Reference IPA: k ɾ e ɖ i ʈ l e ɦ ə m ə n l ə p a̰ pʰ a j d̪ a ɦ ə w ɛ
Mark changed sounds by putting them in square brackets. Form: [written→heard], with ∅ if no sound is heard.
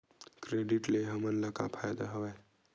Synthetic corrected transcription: k ɾ e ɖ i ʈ l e ɦ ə m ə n l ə [p→k] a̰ pʰ a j d̪ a ɦ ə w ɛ